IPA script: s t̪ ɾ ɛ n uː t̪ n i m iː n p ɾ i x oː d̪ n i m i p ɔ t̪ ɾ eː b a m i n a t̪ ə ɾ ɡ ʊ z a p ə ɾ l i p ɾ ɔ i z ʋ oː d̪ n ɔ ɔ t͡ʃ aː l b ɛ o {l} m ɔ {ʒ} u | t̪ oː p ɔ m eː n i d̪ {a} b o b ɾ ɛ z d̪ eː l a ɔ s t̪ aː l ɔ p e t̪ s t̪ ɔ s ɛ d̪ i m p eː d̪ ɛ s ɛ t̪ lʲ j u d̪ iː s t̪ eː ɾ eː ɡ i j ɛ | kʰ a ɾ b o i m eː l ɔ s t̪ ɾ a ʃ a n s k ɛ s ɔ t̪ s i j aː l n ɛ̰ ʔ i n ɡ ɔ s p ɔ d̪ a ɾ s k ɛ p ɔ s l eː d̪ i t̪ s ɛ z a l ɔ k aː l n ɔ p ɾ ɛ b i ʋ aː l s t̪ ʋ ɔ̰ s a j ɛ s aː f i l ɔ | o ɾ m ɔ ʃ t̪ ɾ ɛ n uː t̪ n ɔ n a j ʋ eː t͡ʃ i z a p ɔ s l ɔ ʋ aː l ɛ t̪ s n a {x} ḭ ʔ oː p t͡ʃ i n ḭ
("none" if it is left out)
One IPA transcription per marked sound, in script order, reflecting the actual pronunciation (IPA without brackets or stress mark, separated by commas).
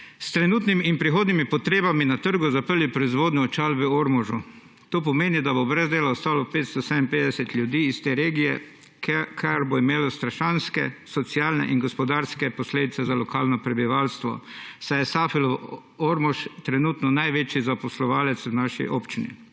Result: ɾ, ʒ, a, ʃ